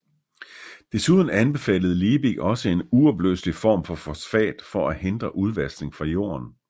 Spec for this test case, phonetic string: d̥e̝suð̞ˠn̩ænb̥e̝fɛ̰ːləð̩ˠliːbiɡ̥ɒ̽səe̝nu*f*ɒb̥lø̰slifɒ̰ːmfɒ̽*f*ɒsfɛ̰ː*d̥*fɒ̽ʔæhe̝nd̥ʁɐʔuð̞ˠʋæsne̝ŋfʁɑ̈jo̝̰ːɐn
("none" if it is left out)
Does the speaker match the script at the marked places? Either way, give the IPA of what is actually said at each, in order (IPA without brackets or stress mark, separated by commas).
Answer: none, f, d̥